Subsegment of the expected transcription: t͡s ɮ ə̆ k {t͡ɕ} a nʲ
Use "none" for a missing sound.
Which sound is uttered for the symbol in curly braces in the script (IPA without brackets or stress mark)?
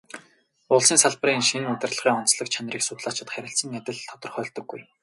t͡ɕʰ